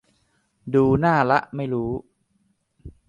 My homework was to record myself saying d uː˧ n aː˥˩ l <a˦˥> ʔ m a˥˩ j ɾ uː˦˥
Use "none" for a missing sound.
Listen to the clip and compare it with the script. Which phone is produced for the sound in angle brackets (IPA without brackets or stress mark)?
a˦˥